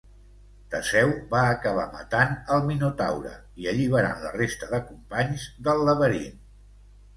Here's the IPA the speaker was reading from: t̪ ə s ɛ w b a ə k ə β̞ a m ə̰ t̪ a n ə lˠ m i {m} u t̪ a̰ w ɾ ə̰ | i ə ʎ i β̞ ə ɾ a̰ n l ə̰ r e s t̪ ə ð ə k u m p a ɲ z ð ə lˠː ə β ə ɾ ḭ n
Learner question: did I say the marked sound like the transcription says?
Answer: no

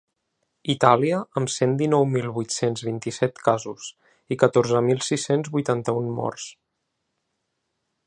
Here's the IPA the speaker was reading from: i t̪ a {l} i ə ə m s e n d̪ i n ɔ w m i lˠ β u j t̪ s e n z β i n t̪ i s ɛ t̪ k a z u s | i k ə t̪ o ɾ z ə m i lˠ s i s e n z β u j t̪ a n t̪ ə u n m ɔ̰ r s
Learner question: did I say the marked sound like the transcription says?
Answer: yes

